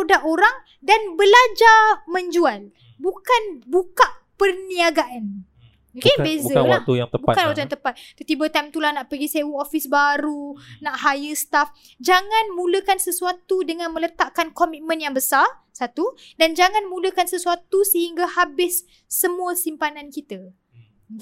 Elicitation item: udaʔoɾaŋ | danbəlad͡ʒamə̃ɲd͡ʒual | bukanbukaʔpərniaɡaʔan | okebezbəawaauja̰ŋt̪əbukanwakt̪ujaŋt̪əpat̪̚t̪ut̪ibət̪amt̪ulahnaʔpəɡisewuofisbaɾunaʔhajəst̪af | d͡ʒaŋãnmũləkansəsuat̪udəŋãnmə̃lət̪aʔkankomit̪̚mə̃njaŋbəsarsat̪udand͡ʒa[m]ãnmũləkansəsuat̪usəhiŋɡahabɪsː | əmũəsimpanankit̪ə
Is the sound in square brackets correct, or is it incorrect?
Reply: incorrect